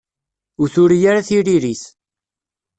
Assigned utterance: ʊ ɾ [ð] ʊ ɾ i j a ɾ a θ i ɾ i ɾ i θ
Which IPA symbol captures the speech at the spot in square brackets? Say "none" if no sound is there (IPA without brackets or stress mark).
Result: θ